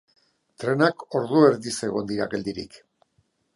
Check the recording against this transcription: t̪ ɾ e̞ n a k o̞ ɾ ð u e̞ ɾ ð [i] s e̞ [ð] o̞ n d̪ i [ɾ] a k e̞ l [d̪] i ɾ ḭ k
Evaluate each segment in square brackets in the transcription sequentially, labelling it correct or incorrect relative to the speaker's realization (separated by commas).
correct, incorrect, correct, correct